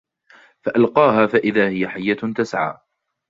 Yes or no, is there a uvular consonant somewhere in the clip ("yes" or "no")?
yes